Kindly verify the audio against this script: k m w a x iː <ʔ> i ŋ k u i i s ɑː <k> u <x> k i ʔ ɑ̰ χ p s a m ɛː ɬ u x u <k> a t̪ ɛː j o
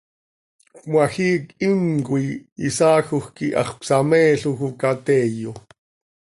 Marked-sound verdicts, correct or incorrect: incorrect: k, incorrect: x, correct, correct

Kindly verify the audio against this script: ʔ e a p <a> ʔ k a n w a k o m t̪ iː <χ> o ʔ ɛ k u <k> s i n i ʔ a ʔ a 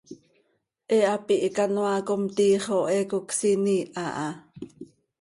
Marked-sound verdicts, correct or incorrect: incorrect: i, correct, correct

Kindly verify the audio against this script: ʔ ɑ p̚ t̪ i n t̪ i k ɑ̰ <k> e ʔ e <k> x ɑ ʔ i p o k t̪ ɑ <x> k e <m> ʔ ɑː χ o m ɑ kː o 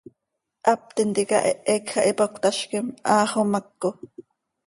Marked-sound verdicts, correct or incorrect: incorrect: ʔ, correct, incorrect: ʃ, correct

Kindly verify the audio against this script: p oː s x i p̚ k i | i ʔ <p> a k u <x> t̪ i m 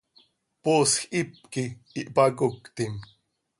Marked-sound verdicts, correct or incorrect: correct, incorrect: k

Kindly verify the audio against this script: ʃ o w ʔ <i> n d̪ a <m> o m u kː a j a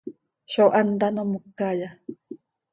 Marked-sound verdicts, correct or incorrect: incorrect: a, incorrect: n

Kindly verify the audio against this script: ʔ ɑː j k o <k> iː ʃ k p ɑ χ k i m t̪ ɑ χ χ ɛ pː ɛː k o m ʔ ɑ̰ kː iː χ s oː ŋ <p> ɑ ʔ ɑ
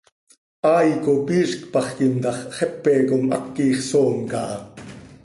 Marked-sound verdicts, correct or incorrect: incorrect: p, incorrect: k

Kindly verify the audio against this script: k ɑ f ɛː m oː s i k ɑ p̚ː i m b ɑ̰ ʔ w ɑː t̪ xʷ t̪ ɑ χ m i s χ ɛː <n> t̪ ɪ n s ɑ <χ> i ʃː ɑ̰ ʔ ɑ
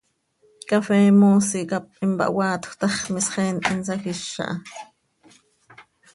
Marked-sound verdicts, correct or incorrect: correct, incorrect: x

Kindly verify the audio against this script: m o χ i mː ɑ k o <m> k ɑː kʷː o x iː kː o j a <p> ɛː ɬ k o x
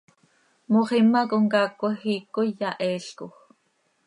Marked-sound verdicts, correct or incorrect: incorrect: ŋ, incorrect: ʔ

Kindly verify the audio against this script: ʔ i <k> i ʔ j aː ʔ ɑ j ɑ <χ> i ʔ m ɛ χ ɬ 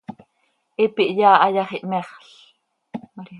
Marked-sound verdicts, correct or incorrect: incorrect: p, correct

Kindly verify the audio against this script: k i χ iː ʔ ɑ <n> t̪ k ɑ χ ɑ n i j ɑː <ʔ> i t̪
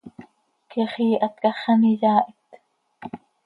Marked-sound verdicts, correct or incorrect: incorrect: none, correct

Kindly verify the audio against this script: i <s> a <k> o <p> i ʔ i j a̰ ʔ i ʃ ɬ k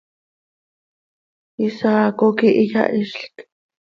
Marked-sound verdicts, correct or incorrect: correct, correct, incorrect: k

